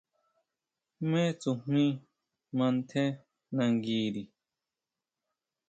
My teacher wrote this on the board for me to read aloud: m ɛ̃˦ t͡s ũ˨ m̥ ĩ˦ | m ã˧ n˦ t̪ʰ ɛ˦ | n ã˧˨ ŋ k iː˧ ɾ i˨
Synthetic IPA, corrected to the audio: m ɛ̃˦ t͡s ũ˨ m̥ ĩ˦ | m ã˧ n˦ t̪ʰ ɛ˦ | n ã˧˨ ŋ ɡ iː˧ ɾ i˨